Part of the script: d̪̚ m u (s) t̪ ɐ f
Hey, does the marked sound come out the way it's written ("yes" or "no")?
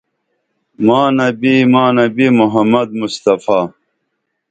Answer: yes